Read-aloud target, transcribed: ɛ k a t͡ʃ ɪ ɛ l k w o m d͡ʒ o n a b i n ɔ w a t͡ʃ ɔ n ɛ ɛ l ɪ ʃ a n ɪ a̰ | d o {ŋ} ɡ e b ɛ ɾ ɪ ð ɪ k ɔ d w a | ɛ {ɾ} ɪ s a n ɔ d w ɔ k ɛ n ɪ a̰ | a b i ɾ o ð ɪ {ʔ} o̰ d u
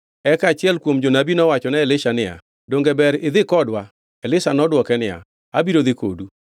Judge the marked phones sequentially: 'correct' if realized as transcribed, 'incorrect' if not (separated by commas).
correct, incorrect, incorrect